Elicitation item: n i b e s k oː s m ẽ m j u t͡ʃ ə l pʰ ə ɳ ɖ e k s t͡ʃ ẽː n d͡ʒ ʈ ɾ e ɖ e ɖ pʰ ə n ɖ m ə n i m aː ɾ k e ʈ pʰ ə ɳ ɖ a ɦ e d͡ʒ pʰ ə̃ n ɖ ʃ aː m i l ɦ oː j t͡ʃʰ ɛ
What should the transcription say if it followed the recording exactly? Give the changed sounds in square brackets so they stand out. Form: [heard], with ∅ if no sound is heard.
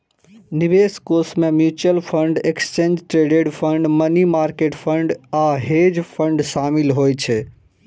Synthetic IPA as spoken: n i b e s k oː s m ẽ m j u t͡ʃ ə l pʰ ə ɳ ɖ e k s t͡ʃ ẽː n d͡ʒ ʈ ɾ e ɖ e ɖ pʰ ə [ɳ] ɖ m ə n i m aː ɾ k e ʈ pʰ ə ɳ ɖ a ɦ e d͡ʒ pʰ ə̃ [ɳ] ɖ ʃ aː m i l ɦ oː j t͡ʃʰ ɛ